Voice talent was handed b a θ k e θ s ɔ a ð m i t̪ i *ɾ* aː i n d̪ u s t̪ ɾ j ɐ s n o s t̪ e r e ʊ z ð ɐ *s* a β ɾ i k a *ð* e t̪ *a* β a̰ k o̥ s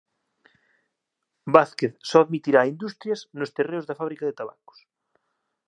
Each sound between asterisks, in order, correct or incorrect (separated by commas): correct, incorrect, correct, correct